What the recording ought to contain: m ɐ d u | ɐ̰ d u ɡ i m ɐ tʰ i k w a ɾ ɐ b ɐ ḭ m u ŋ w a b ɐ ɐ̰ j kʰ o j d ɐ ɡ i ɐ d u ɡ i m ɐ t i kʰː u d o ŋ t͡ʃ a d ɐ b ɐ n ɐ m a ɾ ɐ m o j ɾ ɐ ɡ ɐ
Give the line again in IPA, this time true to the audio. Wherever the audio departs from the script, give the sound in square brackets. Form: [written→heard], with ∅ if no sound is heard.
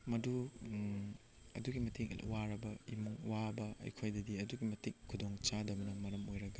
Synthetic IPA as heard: m ɐ d u | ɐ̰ d u ɡ i m ɐ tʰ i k w a ɾ ɐ b ɐ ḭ m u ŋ w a b ɐ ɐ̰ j kʰ o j d ɐ [ɡ→d] i ɐ d u ɡ i m ɐ t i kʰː u d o ŋ t͡ʃ a d ɐ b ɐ n ɐ m [a→ɐ] ɾ ɐ m o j ɾ ɐ ɡ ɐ